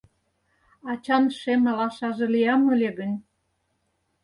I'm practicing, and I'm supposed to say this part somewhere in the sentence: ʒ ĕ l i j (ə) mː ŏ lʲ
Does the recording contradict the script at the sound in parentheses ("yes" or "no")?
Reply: yes